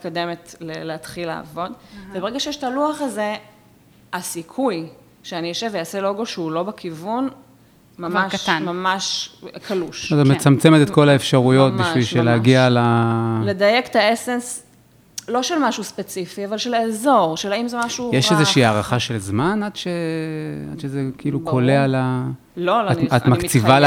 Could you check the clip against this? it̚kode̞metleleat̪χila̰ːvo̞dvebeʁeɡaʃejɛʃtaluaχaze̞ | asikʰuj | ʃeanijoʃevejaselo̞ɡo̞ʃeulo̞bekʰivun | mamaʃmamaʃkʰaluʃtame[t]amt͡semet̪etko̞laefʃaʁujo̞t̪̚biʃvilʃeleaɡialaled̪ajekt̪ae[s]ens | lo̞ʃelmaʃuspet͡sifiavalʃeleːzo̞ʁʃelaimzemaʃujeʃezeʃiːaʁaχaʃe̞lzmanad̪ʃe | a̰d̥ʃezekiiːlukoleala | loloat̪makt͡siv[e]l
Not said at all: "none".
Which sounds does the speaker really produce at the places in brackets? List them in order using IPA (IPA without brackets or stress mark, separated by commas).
t͡s, s, a